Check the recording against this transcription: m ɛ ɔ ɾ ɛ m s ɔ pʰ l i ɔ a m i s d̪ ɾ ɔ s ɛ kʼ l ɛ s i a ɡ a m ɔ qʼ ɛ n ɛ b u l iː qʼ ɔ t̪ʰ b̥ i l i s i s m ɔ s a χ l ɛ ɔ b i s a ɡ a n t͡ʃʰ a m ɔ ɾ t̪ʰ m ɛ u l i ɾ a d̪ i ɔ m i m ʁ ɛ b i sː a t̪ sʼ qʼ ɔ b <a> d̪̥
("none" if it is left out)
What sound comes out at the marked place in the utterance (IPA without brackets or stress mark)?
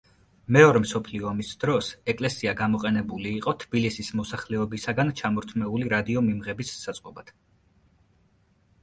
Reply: a